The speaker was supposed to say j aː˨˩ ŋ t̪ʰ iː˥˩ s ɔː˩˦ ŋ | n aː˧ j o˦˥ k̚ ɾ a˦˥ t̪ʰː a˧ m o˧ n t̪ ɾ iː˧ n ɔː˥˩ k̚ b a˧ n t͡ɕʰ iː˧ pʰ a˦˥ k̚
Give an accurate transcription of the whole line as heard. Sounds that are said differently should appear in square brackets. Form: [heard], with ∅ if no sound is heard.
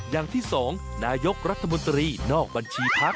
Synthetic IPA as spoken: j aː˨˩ ŋ t̪ʰ iː˥˩ s ɔː˩˦ ŋ | n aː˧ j o˦˥ k̚ ɾ a˦˥ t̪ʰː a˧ m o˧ n t̪ ɾ iː˧ n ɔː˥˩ k̚ b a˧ n t͡ɕʰ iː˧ pʰ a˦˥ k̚